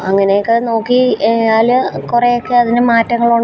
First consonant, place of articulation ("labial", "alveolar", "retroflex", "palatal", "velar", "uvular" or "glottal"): velar